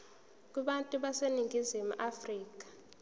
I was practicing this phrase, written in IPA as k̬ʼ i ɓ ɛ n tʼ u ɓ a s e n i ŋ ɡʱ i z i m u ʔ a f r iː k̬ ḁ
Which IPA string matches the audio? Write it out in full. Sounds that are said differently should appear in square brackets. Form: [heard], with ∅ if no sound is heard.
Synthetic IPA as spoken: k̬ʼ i ɓ [a] n tʼ u ɓ a s e n i ŋ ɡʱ i z i m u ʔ a f r iː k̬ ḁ